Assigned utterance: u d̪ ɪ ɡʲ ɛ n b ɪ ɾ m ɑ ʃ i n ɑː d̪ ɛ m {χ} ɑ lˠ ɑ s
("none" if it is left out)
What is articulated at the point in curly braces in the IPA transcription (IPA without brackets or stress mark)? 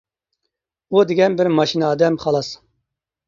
χ